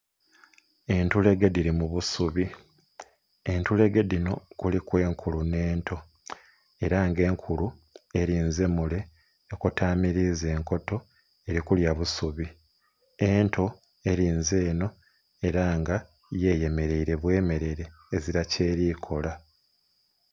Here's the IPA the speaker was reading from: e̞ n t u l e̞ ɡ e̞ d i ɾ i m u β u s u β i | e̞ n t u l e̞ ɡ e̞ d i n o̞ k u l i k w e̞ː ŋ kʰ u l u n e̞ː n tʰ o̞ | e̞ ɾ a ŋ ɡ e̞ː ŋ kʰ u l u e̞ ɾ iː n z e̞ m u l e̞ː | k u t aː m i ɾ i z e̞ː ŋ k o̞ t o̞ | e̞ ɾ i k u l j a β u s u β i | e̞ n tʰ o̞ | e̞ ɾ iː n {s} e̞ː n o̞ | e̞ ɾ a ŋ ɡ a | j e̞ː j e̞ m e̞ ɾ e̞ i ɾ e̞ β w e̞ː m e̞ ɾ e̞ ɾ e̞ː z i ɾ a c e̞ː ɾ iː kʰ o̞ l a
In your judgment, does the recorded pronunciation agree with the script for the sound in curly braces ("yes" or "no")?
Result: no